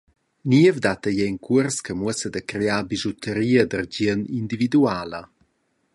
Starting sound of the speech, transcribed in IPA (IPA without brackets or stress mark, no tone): n